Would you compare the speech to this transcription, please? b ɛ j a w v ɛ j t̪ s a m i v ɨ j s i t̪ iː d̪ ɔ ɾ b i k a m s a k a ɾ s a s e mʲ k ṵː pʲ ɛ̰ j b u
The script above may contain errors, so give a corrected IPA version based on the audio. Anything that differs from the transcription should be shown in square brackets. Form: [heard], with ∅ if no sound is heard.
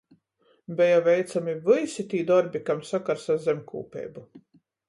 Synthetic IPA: b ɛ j a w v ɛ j t̪ s a m i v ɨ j s i t̪ iː d̪ ɔ ɾ b i k a m s a k a ɾ s a [z] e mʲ k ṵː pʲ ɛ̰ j b u